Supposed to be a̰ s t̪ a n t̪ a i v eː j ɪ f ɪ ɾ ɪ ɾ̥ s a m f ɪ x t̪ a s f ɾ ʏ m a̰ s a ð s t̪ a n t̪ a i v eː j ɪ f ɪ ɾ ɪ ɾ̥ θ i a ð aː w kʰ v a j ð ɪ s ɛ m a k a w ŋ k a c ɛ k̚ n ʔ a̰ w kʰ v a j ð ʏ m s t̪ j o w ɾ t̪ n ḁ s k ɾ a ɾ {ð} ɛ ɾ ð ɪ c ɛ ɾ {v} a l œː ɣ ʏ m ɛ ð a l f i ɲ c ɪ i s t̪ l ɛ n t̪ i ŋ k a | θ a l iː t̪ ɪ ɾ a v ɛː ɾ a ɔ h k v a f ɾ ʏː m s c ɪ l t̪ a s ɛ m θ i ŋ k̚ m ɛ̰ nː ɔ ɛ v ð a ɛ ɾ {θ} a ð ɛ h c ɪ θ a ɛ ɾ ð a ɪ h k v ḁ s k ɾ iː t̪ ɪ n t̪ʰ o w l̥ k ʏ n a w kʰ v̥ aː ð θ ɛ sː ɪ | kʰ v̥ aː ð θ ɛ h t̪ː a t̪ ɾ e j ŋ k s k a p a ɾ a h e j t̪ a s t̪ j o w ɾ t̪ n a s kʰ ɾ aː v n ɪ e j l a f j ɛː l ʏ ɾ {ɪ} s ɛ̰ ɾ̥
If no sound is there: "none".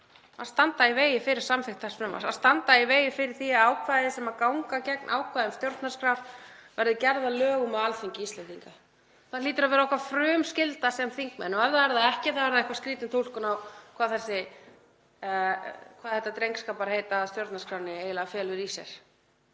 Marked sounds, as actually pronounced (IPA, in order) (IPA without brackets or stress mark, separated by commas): v, ð, ð, i